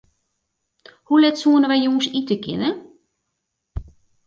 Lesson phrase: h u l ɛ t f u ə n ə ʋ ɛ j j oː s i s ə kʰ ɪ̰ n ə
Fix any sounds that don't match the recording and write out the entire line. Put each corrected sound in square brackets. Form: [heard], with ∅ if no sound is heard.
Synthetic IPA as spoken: h u l ɛ t [s] u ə n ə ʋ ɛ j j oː s i [t] ə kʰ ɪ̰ n ə

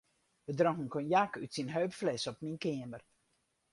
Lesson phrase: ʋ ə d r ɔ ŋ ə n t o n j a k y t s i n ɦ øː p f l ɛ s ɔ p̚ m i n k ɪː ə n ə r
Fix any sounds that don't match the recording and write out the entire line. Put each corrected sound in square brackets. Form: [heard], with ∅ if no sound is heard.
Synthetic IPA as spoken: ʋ ə d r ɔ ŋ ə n [k] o n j a k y t s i n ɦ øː p f l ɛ s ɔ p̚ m i n k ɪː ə [m] ə r

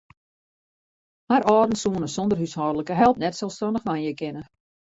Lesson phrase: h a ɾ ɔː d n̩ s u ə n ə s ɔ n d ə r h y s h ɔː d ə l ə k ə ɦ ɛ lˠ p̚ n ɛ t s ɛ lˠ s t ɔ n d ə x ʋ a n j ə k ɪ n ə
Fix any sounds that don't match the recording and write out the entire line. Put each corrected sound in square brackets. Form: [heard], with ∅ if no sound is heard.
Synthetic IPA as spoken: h a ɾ ɔː d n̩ s u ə n ə s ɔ n d ə r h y s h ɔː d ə l ə k ə ɦ ɛ lˠ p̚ n ɛ t s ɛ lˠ s t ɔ n d ə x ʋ a n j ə k ɪ n ə

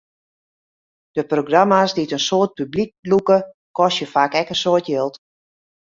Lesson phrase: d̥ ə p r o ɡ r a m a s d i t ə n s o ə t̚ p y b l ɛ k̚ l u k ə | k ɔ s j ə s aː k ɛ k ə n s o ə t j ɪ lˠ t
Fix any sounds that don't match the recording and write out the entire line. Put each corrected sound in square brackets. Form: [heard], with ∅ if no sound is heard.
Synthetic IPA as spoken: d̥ ə p r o ɡ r a m a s d i t ə n s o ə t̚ p y b l [i] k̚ l u k ə | k ɔ s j ə [f] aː k ɛ k ə n s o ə t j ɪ lˠ t

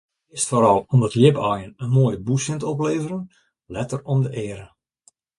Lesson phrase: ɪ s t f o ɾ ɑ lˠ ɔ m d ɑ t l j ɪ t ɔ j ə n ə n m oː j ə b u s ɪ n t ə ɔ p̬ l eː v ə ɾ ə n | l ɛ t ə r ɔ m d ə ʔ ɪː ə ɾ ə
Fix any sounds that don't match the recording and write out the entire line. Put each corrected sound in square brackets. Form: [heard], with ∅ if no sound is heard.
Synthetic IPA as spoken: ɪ s t f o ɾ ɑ lˠ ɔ m d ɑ t l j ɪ [p] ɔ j ə n ə n m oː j ə b u s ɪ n t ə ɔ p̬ l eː v ə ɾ ə n | l ɛ t ə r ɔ m d ə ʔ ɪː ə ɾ ə

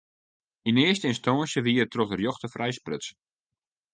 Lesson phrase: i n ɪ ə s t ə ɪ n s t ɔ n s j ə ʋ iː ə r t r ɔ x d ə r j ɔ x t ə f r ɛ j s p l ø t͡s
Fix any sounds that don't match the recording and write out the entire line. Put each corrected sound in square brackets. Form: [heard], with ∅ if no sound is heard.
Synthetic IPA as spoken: i n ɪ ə s t ə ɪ n s t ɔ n s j ə ʋ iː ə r t r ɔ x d ə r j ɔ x t ə f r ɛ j s p [r] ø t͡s

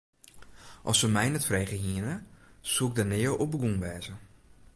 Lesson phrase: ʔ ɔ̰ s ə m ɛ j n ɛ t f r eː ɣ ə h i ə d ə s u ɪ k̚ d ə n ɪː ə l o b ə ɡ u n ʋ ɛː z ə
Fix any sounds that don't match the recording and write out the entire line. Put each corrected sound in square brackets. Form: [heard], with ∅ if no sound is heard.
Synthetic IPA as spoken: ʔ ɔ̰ s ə m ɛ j n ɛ t f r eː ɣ ə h i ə [n] ə s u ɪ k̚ d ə n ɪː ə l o b ə ɡ u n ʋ ɛː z ə

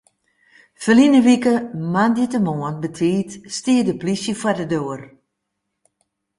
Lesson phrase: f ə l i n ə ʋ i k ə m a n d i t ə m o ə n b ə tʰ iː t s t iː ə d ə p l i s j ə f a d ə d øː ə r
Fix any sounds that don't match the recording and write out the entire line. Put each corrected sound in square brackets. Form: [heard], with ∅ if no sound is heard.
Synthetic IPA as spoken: f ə l i n ə ʋ i k ə m a n d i t ə m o ə n b ə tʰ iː t s t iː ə d ə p l i s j ə f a d ə d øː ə r

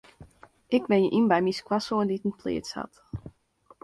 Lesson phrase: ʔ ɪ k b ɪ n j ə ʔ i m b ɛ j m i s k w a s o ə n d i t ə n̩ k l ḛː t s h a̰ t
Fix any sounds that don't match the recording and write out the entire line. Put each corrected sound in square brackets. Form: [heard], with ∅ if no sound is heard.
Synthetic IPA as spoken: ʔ ɪ k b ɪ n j ə ʔ i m b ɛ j m i s k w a s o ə n d i t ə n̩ [p] l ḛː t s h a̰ t

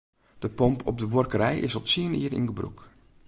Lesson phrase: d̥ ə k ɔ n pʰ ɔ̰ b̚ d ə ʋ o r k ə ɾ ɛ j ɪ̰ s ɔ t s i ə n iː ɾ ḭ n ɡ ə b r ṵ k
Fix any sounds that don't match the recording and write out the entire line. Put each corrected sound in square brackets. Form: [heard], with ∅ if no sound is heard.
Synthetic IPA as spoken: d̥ ə [p] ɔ [m] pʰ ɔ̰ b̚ d ə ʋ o r k ə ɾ ɛ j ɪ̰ s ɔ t s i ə n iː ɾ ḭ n ɡ ə b r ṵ k

